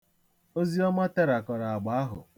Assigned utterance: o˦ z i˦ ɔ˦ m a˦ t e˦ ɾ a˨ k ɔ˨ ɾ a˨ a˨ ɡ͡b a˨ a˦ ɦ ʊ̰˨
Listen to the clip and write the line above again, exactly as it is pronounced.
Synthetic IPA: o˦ z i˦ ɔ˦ m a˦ t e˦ ɾ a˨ k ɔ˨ ɾ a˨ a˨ ɡ͡b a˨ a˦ ɦ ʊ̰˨